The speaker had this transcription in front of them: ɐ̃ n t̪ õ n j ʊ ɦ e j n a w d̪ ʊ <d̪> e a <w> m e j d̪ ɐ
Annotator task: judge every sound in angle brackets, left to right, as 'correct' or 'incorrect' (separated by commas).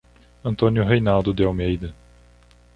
correct, correct